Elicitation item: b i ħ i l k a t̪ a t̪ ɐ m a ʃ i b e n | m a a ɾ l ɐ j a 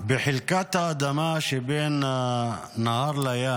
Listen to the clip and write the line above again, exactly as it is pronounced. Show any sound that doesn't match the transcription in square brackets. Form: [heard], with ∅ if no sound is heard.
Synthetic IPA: b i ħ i l k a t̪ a [d̪] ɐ m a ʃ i b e n | [n] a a ɾ l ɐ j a